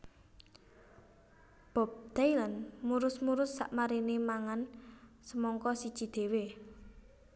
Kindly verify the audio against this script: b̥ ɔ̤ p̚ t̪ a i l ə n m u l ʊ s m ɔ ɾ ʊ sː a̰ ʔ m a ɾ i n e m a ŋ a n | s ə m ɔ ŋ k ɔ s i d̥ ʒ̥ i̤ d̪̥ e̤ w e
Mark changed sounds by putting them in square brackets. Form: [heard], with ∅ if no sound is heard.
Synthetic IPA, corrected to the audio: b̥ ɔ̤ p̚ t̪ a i l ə n m u [ɾ] ʊ s m [u] ɾ ʊ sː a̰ ʔ m a ɾ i n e m a ŋ a n | s ə m ɔ ŋ k ɔ s i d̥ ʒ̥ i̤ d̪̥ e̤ w e